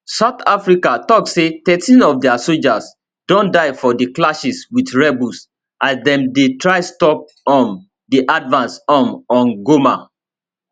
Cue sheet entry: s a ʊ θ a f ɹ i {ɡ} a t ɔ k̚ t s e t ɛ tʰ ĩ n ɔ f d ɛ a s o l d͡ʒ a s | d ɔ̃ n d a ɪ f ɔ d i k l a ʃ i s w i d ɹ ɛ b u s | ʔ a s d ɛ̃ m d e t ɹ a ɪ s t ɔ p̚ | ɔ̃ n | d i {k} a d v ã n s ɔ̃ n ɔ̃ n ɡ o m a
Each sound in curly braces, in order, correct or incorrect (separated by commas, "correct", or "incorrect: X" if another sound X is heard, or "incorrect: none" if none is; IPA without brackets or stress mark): incorrect: k, incorrect: ʔ